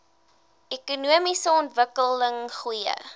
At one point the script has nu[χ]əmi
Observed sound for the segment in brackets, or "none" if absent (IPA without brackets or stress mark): none